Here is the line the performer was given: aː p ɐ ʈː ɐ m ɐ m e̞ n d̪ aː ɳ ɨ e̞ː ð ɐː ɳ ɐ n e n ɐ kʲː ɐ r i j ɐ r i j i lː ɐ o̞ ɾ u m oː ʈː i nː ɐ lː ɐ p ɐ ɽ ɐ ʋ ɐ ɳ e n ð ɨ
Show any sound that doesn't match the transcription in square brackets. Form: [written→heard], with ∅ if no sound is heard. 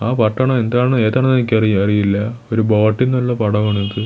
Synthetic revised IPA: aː p ɐ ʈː ɐ [m→ɳ] ɐ m e̞ n d̪ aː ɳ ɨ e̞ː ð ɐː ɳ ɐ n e n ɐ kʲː ɐ r i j ɐ r i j i lː ɐ o̞ ɾ u [m→b] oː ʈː i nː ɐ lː ɐ p ɐ ɽ ɐ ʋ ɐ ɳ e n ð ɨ